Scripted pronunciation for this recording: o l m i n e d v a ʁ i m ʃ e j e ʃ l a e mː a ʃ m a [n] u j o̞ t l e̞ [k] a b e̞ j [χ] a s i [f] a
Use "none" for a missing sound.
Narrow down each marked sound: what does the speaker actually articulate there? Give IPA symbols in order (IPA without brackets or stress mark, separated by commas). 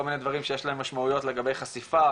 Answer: none, ɡ, χ, f